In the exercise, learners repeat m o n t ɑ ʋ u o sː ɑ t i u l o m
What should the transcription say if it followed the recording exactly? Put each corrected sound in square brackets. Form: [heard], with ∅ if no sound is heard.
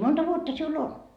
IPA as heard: m o n t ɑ ʋ u o [tː] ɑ [s] i u l o [n]